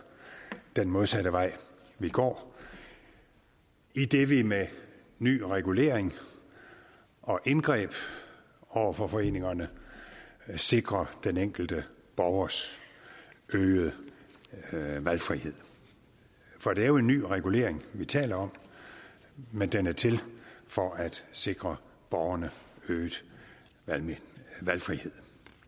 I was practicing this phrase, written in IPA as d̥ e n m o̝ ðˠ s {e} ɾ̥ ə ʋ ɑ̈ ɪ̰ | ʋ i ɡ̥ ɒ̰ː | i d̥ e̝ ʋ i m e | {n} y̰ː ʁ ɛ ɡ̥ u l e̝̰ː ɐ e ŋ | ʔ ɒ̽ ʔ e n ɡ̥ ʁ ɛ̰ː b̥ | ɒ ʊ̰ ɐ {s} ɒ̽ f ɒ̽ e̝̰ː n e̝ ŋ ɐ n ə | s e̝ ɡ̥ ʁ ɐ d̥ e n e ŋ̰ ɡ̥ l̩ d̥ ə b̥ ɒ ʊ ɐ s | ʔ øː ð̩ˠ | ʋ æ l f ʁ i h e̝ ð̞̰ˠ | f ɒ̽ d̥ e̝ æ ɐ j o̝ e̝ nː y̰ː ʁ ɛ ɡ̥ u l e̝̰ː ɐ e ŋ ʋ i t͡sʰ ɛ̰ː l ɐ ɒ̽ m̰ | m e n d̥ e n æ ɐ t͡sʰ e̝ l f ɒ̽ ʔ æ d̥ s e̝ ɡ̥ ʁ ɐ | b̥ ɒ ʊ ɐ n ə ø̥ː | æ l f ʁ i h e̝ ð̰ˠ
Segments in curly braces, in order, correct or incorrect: incorrect: æ, correct, incorrect: f

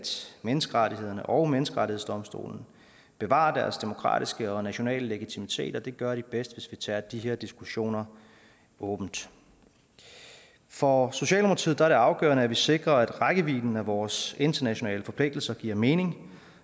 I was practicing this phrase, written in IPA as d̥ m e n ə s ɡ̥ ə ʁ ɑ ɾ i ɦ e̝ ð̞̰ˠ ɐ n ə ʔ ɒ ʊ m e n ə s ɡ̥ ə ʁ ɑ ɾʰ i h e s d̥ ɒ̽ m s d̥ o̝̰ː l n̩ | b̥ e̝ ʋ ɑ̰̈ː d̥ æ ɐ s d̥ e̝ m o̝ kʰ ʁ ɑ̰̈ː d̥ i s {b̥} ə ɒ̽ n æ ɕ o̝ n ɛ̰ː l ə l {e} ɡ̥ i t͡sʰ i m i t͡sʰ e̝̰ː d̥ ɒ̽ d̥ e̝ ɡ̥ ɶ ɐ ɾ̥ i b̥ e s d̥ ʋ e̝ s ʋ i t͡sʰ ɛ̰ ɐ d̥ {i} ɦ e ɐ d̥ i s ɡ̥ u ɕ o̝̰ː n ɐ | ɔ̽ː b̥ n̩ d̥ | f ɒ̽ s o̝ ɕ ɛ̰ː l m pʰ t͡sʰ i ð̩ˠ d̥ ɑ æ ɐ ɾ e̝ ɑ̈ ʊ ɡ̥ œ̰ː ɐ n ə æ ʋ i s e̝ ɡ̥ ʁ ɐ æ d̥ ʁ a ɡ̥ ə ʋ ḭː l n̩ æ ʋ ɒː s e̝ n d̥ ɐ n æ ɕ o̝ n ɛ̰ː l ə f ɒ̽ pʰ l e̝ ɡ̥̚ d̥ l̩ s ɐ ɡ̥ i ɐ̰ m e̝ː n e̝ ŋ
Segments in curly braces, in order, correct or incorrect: incorrect: ɡ̥, correct, correct

